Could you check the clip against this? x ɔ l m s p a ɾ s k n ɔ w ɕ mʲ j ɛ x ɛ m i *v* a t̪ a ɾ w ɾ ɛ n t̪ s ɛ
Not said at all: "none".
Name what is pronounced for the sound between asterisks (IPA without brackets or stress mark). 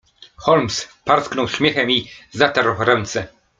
z